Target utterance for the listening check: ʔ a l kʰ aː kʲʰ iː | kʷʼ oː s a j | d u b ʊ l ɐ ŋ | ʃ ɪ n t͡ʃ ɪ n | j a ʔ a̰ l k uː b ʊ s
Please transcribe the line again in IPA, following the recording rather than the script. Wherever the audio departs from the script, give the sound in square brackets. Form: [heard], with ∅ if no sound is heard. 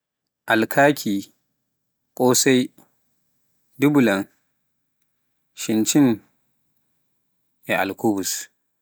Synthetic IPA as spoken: ʔ a l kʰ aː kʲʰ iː | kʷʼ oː s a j | d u b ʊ l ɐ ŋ | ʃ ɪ n t͡ʃ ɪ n | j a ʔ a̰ l k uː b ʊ s